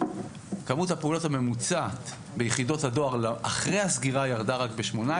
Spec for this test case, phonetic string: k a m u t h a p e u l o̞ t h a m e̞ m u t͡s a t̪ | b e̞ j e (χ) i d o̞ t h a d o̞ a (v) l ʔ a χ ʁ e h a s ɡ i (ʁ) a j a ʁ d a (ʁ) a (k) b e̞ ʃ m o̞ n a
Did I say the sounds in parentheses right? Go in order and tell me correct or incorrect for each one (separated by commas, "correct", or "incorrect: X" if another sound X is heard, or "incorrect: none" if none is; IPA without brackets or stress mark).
correct, incorrect: ʁ, correct, correct, correct